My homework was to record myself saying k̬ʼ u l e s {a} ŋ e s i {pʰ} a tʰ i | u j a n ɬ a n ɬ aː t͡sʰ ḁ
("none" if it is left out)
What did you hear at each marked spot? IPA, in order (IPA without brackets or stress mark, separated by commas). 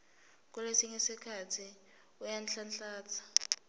i, kʰ